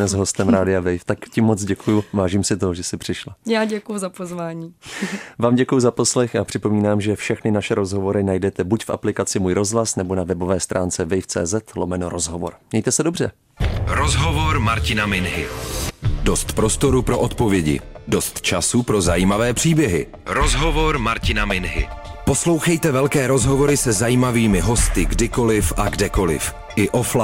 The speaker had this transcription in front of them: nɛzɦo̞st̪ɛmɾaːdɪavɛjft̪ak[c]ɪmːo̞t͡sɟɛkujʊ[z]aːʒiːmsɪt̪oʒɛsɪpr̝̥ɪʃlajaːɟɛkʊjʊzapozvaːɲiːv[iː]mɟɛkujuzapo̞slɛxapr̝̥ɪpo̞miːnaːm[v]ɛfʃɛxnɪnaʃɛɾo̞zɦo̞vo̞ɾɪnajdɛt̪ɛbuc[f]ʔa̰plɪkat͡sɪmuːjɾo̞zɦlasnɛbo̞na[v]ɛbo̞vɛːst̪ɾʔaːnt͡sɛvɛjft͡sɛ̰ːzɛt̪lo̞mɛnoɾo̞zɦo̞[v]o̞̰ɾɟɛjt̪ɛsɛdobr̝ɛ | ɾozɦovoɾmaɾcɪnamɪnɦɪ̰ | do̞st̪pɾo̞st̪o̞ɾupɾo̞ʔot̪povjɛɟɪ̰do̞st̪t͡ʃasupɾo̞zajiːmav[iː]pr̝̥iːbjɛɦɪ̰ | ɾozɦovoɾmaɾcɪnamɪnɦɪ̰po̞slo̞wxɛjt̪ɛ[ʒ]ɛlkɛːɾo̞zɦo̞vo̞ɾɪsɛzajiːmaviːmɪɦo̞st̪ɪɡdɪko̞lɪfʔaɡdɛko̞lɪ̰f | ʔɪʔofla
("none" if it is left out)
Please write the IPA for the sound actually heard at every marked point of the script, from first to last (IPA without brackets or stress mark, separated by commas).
c, v, aː, ʒ, f, v, v, ɛː, v